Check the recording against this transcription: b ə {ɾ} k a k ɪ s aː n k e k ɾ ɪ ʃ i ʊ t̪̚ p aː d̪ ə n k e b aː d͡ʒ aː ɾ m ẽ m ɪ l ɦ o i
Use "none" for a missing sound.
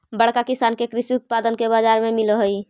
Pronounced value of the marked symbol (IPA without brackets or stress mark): ɽ